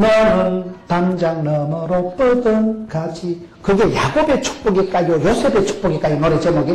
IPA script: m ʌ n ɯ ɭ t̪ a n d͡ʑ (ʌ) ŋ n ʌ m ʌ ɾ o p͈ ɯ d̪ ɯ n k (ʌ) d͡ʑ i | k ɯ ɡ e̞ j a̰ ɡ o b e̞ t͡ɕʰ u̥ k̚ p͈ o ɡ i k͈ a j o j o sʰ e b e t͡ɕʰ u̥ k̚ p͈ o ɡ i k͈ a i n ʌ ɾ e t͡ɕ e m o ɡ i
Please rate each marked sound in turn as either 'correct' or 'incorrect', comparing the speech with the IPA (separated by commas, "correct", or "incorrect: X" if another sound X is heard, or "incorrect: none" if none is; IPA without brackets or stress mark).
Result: incorrect: a, incorrect: a